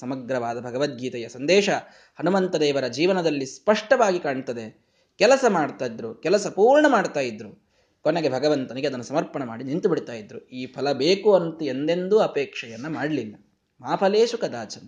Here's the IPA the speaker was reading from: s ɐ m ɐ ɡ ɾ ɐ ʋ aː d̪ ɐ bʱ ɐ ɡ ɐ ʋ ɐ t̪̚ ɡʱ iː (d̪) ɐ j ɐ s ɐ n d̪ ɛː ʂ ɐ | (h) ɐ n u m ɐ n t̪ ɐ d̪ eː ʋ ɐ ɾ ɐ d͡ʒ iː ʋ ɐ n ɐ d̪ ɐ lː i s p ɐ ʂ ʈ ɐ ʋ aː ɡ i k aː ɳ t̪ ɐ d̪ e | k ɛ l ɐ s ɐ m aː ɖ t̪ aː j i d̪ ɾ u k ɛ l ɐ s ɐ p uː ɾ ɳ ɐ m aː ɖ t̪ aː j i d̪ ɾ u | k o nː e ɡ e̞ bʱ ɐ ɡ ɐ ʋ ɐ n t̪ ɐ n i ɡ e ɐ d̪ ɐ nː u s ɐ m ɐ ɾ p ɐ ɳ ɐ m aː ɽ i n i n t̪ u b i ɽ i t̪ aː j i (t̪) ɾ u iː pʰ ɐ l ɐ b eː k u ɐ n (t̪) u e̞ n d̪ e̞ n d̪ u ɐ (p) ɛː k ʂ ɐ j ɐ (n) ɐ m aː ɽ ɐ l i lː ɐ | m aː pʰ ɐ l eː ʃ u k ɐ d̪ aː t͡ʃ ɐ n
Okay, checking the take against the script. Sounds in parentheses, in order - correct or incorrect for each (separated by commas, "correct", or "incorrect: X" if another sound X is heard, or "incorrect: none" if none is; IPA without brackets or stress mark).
incorrect: t̪, correct, incorrect: d̪, correct, correct, incorrect: nː